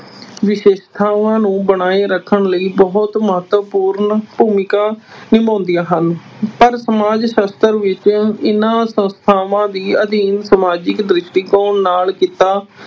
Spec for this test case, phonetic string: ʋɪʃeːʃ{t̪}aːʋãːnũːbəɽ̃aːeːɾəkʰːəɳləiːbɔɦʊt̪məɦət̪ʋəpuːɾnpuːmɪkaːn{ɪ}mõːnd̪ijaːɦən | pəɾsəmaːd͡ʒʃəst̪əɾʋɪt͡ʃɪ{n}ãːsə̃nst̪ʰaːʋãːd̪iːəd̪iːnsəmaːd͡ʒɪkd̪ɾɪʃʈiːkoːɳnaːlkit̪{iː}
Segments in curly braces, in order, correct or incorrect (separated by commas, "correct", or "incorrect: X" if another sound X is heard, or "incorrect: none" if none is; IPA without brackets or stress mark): incorrect: t̪ʰ, correct, correct, incorrect: aː